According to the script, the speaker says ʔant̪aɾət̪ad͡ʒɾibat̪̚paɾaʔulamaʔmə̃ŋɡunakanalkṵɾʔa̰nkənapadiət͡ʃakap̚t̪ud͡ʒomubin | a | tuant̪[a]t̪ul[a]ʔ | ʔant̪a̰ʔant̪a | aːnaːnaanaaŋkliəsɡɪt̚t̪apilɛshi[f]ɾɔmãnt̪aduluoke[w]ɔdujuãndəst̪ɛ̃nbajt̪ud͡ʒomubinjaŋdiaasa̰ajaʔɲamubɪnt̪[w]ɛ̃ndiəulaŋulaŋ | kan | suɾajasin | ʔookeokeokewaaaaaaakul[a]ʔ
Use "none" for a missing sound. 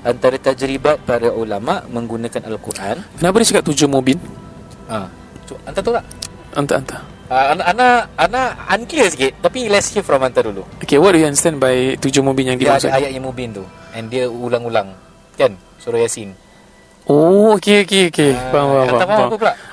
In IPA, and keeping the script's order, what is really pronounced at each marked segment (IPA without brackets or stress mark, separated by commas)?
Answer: a, a, f, w, u, a